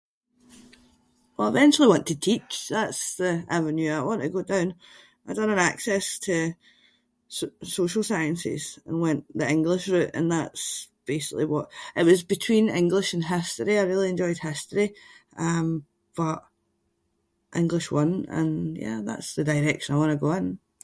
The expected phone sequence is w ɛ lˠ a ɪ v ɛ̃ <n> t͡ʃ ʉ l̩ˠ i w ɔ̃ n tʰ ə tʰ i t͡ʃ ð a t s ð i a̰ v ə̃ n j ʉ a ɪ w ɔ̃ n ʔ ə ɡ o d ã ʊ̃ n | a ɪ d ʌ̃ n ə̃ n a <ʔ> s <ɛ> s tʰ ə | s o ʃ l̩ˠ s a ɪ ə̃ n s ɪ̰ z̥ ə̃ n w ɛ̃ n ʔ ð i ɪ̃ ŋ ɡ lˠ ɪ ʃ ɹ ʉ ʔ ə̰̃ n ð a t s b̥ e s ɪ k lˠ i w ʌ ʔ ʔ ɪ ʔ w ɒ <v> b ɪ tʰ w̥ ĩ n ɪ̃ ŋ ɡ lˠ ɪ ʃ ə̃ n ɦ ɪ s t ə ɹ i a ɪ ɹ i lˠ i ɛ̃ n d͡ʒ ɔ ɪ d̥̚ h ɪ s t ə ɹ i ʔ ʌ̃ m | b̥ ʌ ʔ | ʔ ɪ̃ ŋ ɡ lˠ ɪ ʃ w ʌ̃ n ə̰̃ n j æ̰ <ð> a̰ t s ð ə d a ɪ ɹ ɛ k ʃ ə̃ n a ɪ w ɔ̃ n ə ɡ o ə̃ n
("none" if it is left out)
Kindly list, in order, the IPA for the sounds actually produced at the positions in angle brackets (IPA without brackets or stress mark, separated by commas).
n, k, ɛ, z, ð